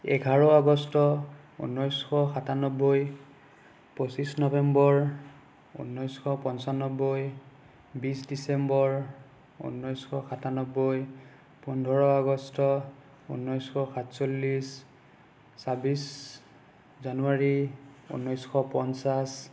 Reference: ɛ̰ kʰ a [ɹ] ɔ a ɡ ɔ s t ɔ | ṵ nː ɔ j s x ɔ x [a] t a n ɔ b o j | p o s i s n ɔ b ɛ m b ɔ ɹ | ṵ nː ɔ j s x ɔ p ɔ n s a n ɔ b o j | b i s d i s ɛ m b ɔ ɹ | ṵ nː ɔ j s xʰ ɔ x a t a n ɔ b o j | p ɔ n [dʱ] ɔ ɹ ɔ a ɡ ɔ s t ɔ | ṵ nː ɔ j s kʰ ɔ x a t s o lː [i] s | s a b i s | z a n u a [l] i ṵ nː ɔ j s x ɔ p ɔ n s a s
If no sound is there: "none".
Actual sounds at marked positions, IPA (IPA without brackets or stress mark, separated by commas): ɹ, a, dʱ, i, ɹ